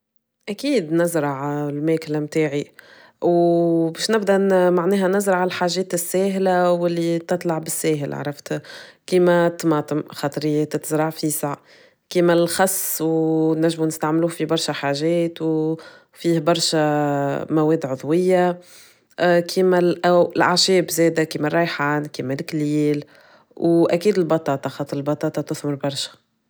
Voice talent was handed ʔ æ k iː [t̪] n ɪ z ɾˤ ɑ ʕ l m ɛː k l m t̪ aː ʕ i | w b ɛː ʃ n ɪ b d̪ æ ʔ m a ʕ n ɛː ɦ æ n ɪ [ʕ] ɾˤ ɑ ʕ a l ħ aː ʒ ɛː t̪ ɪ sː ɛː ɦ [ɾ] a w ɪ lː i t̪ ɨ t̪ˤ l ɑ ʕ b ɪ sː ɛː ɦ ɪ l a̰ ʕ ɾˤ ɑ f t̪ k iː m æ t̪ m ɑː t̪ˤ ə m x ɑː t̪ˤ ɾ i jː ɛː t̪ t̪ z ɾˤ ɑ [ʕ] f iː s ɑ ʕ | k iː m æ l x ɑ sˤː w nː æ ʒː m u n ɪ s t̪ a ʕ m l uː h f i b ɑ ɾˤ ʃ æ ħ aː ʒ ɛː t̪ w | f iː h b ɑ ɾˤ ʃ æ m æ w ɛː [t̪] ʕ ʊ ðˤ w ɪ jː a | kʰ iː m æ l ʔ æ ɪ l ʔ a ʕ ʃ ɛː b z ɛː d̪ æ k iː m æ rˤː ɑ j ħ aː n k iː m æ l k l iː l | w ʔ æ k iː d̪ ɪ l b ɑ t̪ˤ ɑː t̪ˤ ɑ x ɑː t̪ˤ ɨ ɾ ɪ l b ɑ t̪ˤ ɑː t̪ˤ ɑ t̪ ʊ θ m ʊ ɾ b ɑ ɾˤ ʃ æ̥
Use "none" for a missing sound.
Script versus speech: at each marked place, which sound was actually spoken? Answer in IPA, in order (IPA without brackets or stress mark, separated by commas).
d̪, z, l, ʕ, d̪